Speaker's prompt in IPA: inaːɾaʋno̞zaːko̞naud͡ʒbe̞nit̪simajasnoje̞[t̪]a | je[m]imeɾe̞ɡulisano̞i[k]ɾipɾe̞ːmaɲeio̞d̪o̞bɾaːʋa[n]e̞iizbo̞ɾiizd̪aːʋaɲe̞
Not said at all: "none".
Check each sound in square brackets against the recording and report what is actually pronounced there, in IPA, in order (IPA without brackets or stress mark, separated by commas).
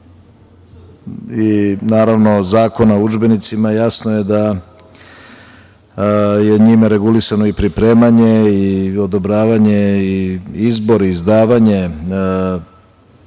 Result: d̪, ɲ, p, ɲ